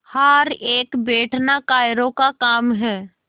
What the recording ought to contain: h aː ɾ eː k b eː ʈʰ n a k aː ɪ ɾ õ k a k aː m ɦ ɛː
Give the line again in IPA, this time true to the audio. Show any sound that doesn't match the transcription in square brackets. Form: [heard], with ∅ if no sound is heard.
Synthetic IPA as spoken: h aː ɾ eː k b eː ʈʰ n a k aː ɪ ɾ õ k a k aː m ɦ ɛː

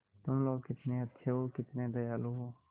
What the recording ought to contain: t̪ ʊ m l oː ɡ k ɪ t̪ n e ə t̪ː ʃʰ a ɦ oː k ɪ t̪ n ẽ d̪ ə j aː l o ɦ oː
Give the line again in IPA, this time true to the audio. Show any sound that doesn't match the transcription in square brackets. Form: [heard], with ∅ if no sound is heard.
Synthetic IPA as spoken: t̪ ʊ m l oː ɡ k ɪ t̪ n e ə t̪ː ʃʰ [e] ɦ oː k ɪ t̪ n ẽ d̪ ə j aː l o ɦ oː

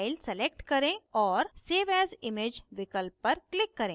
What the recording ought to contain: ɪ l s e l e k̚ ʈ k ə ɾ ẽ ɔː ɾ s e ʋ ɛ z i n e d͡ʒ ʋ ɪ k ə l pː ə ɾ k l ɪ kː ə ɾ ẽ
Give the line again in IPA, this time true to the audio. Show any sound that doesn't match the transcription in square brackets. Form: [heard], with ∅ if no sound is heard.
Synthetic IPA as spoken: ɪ l s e l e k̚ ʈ k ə ɾ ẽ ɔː ɾ s e ʋ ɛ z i [m] e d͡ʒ ʋ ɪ k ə l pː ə ɾ k l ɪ kː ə ɾ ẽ

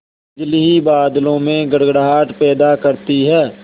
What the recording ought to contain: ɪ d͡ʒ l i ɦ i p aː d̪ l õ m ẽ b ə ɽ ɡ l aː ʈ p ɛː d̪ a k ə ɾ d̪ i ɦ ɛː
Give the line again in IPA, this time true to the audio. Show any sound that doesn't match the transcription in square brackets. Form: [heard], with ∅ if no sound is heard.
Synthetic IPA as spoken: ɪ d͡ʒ l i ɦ i [b] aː d̪ l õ m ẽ [ɡ] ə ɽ ɡ [ɽ] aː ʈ p ɛː d̪ a k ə ɾ [t̪] i ɦ ɛː

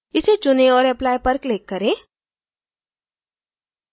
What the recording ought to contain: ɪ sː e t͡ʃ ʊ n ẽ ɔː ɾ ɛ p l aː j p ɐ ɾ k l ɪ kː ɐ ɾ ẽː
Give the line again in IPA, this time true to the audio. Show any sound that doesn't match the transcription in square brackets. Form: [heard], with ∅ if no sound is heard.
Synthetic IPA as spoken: ɪ [s] e t͡ʃ ʊ n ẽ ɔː ɾ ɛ p l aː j p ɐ ɾ k l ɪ kː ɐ ɾ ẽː

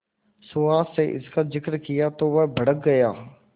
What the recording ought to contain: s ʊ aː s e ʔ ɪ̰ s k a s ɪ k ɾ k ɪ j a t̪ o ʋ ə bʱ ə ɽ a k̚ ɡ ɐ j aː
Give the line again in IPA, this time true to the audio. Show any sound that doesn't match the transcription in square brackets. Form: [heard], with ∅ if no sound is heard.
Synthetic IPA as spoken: s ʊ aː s e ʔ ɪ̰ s k a [z] ɪ k ɾ k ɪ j a t̪ o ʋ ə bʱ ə ɽ [ə] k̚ ɡ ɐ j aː

